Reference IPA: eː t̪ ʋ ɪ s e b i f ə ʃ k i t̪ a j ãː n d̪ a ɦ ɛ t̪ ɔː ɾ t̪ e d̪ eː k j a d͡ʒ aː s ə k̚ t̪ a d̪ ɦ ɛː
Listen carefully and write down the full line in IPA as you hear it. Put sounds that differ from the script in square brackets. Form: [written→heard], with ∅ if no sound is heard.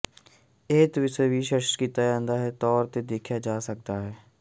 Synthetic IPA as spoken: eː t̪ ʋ ɪ s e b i [f→ʃ] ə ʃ k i t̪ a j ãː n d̪ a ɦ ɛ t̪ ɔː ɾ t̪ e d̪ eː [k→kʰ] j a d͡ʒ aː s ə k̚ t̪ a [d̪→∅] ɦ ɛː